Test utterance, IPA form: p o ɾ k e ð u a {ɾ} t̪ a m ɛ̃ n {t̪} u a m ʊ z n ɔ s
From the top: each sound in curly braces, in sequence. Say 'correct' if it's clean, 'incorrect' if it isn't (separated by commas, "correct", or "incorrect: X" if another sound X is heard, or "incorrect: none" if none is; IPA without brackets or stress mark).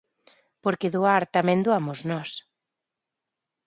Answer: correct, incorrect: d̪